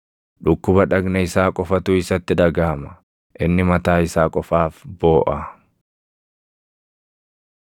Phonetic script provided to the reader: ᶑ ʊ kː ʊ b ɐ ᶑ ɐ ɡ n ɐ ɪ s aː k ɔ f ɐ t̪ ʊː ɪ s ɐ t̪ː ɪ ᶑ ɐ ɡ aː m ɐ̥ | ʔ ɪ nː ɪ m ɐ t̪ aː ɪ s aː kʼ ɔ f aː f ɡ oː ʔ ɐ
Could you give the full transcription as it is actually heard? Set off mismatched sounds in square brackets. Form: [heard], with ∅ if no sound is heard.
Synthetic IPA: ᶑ ʊ kː ʊ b ɐ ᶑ ɐ ɡ n ɐ ɪ s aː [kʼ] ɔ f ɐ t̪ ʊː ɪ s ɐ t̪ː ɪ ᶑ ɐ ɡ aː m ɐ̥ | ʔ ɪ nː ɪ m ɐ t̪ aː ɪ s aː kʼ ɔ f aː f [b] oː ʔ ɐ

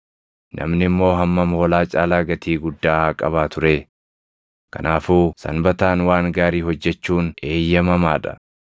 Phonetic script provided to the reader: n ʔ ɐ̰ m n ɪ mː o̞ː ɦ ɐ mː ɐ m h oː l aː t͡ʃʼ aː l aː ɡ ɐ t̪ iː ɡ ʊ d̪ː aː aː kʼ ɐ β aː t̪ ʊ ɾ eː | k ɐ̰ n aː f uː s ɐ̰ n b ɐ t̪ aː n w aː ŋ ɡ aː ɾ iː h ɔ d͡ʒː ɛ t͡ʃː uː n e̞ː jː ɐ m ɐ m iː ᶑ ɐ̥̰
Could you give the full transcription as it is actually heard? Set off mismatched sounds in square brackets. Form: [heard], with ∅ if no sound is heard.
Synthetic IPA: n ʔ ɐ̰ m n ɪ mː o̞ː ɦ ɐ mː ɐ m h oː l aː t͡ʃʼ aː l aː ɡ ɐ t̪ iː ɡ ʊ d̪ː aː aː kʼ ɐ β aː t̪ ʊ ɾ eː | k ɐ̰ n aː f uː s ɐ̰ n b ɐ t̪ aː n w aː ŋ ɡ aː ɾ iː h ɔ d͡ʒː ɛ t͡ʃː uː n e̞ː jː ɐ m ɐ m [aː] ᶑ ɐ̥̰

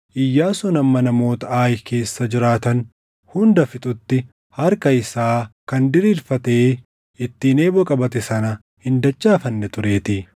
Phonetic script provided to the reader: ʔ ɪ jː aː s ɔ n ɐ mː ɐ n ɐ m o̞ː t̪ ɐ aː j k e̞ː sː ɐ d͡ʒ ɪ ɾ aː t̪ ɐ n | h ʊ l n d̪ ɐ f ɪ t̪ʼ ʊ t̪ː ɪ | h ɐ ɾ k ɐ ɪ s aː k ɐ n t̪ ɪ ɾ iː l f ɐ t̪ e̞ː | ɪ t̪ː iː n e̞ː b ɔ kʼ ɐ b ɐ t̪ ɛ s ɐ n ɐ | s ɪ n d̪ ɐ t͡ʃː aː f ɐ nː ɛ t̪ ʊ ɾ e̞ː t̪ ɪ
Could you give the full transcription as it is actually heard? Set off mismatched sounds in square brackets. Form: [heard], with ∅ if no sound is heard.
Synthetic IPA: ʔ ɪ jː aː s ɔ n ɐ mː ɐ n ɐ m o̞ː t̪ ɐ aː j k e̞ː sː ɐ d͡ʒ ɪ ɾ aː t̪ ɐ n | h ʊ [∅] n d̪ ɐ f ɪ t̪ʼ ʊ t̪ː ɪ | h ɐ ɾ k ɐ ɪ s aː k ɐ n [d̪] ɪ ɾ iː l f ɐ t̪ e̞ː | ɪ t̪ː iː n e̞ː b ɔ kʼ ɐ b ɐ t̪ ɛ s ɐ n ɐ | [h] ɪ n d̪ ɐ t͡ʃː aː f ɐ nː ɛ t̪ ʊ ɾ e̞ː t̪ ɪ

